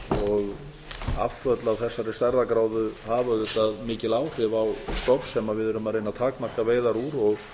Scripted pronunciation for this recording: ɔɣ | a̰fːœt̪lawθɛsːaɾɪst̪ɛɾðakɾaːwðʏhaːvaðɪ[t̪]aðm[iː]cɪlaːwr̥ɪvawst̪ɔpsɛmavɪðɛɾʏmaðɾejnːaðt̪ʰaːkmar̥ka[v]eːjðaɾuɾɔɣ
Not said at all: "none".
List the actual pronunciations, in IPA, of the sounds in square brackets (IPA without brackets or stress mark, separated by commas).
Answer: t̪, ɪː, v